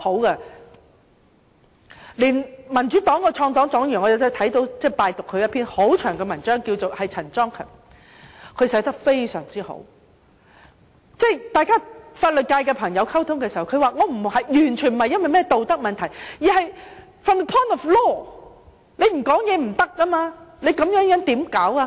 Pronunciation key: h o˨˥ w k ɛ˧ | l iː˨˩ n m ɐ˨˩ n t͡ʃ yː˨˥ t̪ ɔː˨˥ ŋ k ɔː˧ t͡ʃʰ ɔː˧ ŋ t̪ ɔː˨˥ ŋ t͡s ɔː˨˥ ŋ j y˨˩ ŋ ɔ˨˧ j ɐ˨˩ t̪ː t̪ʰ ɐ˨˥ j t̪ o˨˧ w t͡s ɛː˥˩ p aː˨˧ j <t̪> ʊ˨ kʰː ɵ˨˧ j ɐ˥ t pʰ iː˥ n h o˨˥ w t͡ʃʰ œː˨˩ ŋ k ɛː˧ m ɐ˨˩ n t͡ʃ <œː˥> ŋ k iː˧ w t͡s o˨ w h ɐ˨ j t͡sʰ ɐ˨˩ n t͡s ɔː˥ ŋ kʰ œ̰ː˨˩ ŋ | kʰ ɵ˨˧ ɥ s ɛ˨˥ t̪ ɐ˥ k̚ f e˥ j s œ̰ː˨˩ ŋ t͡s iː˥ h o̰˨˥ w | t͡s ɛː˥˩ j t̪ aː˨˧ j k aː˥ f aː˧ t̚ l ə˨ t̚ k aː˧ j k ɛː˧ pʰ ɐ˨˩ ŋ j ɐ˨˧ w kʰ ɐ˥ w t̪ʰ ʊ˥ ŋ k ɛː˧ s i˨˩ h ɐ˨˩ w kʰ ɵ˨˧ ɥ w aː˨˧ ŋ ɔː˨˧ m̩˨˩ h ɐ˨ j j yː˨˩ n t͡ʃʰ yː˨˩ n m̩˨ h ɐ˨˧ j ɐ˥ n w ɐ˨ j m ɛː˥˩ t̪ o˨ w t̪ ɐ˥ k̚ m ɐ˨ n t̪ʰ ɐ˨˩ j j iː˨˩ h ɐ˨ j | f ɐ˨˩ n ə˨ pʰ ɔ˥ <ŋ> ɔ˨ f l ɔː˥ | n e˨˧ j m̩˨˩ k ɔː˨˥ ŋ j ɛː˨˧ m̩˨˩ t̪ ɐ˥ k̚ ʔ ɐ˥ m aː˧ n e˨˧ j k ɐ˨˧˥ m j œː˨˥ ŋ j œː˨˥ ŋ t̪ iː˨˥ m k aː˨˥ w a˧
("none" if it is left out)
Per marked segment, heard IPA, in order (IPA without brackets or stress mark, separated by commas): t̪, œː˥, n